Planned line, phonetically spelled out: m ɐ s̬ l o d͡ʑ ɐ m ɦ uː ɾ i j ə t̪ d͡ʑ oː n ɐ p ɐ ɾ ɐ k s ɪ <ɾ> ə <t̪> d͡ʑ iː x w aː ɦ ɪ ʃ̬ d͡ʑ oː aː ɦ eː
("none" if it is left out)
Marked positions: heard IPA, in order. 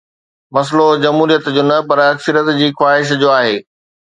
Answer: ɾ, t̪

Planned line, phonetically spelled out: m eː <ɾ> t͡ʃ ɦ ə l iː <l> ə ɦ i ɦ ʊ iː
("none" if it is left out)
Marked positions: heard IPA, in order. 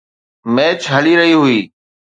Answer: none, ɾ

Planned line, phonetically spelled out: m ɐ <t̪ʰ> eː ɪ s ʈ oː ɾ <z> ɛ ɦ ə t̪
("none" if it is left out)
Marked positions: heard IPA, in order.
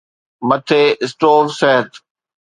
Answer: t̪ʰ, s

